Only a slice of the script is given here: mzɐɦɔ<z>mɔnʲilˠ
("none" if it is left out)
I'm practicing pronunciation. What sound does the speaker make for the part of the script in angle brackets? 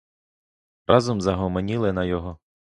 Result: none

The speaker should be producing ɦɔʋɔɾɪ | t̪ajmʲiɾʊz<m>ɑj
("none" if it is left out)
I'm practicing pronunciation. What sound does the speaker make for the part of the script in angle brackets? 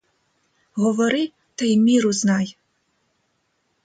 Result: n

